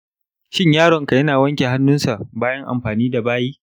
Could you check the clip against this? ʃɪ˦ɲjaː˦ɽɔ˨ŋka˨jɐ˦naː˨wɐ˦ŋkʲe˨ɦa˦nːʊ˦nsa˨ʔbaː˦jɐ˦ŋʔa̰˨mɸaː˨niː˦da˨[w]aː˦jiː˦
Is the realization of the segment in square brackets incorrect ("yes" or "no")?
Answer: yes